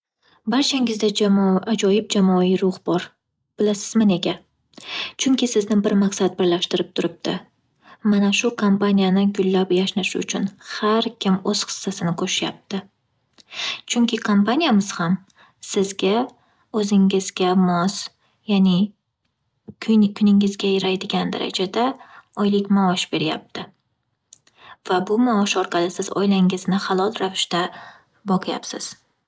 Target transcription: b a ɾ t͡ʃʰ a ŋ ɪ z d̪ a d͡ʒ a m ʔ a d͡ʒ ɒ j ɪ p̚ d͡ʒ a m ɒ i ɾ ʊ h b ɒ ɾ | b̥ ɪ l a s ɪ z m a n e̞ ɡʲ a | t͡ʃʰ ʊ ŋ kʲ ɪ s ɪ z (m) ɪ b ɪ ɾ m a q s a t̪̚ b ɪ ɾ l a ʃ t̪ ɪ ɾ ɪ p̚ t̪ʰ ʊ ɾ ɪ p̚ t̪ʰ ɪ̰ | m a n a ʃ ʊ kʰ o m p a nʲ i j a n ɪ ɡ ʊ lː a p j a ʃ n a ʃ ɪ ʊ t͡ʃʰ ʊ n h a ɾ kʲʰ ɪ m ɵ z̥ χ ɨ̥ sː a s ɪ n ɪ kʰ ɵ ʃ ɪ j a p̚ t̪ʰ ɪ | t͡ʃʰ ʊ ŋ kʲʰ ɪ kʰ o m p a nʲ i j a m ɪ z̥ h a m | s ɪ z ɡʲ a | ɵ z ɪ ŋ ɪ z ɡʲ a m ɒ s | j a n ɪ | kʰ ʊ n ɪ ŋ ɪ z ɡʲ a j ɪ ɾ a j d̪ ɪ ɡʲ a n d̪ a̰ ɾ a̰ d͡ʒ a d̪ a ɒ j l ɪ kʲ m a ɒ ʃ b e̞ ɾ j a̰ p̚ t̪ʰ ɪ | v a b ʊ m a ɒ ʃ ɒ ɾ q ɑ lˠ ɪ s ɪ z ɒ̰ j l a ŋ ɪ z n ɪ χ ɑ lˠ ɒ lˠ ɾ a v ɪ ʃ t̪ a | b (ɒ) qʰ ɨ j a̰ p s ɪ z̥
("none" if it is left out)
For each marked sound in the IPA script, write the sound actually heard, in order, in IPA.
n, ɒ

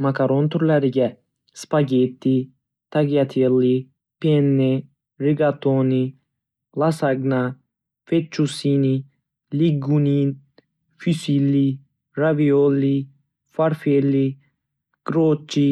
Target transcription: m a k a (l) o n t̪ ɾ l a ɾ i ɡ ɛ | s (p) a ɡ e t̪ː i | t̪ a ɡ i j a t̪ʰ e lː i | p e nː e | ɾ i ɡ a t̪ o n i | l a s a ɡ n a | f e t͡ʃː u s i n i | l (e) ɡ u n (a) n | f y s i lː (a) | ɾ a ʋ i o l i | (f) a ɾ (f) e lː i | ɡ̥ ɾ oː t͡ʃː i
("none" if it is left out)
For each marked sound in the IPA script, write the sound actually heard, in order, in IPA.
ɾ, p, i, i, i, f, f

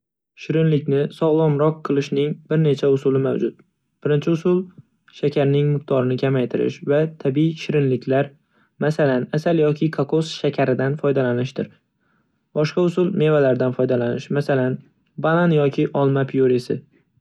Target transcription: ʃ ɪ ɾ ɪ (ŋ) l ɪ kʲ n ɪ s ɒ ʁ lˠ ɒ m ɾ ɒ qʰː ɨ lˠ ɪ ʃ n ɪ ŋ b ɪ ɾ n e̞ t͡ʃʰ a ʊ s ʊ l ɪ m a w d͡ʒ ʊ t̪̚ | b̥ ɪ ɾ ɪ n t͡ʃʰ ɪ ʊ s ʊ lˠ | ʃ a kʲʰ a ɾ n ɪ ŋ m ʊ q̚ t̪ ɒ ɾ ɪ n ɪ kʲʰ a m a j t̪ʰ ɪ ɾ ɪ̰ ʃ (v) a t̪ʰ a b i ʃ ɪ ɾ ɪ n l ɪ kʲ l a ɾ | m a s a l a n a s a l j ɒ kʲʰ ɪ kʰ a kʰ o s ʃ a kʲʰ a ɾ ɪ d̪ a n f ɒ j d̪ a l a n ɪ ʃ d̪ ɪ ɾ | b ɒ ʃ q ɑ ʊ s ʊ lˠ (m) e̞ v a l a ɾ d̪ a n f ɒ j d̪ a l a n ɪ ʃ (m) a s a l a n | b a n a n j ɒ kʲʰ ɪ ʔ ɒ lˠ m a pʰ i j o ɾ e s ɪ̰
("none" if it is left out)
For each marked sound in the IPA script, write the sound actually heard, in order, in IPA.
n, v, m, m

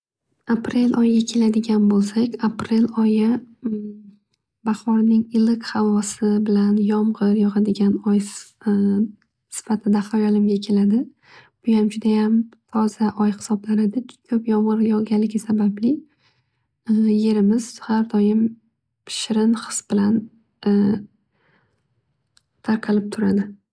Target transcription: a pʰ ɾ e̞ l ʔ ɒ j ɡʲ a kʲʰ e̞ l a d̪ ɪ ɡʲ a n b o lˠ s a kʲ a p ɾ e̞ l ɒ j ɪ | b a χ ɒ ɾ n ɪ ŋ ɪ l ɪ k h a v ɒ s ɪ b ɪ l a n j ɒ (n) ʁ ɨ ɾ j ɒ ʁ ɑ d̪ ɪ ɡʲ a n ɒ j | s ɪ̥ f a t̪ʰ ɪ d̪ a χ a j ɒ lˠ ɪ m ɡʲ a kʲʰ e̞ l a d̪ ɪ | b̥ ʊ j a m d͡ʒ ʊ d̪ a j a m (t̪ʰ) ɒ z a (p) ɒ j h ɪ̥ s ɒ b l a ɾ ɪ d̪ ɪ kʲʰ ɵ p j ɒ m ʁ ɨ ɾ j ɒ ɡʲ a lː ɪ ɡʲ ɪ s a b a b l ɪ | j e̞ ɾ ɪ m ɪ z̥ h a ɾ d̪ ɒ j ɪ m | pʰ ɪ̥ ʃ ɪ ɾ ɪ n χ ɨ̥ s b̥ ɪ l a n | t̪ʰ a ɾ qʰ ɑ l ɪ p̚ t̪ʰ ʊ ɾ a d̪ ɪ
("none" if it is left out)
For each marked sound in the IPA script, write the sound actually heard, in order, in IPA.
m, t̪ʰ, ʔ

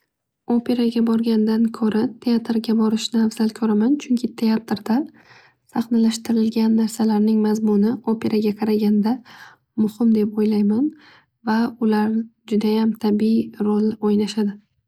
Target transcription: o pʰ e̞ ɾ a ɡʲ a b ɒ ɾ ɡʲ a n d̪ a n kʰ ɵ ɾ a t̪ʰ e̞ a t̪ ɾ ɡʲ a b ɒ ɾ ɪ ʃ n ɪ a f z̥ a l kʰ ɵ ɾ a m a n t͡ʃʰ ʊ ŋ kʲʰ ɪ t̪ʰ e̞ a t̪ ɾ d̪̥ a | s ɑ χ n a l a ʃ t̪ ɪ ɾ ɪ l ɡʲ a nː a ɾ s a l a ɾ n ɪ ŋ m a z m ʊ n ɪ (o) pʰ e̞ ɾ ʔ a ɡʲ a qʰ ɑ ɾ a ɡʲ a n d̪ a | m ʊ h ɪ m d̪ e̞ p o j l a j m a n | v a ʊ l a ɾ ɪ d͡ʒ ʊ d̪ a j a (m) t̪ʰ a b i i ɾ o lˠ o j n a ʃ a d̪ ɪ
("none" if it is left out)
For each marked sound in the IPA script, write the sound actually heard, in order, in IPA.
o, m

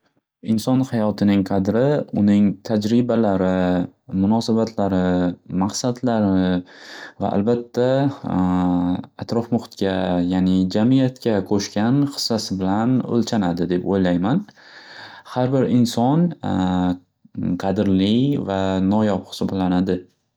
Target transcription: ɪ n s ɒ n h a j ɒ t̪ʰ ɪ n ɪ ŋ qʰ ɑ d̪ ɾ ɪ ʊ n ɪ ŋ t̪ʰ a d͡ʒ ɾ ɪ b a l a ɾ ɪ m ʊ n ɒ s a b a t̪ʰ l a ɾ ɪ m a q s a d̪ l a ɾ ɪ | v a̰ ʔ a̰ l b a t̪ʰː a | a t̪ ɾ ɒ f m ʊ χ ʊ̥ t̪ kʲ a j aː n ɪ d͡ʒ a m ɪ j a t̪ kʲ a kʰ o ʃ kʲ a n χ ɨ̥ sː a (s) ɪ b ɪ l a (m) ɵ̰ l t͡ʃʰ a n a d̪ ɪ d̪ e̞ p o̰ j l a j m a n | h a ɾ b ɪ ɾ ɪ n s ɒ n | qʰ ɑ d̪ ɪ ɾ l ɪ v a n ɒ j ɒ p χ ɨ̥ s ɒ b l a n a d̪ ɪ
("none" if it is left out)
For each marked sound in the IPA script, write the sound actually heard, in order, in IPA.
s, n

